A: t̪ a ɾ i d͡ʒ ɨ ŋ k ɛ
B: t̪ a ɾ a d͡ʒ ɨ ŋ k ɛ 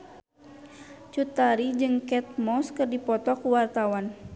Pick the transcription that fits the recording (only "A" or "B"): A